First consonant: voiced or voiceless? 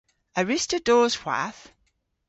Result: voiced